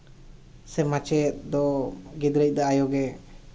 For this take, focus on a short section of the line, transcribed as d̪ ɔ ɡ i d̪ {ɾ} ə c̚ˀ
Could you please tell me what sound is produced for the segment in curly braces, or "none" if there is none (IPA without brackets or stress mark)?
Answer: ɾ